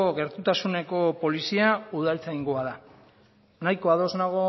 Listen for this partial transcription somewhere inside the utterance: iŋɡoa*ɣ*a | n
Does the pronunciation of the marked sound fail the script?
yes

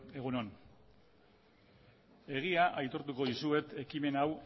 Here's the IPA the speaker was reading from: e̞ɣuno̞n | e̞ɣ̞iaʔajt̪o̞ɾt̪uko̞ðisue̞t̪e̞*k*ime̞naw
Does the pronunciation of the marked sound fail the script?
no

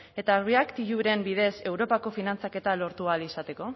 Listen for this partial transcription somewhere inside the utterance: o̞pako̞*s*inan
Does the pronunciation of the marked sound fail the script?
yes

